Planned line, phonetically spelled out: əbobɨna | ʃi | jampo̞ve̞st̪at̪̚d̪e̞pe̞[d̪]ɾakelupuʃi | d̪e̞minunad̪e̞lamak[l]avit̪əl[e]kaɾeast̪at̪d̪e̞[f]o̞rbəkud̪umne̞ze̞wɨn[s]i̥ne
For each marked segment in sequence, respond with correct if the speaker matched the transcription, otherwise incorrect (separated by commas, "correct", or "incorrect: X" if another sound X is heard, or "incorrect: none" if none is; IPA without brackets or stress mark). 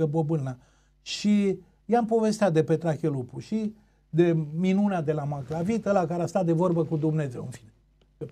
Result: incorrect: t̪, correct, incorrect: a, incorrect: v, incorrect: f